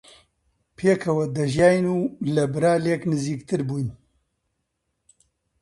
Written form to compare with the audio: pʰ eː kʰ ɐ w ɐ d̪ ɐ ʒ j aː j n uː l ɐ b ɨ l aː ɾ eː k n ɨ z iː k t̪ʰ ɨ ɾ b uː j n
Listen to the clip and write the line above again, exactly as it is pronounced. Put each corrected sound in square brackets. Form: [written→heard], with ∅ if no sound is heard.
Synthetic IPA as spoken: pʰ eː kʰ ɐ w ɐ d̪ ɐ ʒ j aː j n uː l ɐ b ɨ [l→ɾ] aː [ɾ→l] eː k n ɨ z iː k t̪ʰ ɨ ɾ b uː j n